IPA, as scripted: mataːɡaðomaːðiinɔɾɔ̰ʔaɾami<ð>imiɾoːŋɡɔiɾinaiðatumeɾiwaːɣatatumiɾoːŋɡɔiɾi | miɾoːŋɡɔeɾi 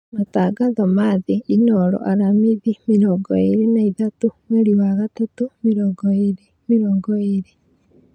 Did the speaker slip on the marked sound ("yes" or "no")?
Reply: no